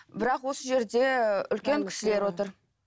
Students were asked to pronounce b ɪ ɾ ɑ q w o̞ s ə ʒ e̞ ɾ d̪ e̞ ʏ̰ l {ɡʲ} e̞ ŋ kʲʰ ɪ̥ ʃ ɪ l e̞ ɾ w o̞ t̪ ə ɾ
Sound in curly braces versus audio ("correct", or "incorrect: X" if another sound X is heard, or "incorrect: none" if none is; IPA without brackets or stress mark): incorrect: kʲ